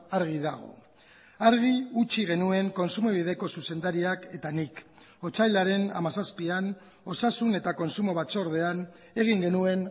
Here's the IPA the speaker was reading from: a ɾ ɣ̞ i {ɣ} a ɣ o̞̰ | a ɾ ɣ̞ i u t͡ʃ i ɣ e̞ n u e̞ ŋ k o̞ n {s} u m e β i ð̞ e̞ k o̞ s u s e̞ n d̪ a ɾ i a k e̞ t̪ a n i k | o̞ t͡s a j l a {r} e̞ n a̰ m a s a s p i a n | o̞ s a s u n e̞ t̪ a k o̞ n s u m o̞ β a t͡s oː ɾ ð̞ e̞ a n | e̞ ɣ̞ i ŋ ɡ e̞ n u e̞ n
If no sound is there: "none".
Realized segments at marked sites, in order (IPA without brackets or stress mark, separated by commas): ð, s, ɾ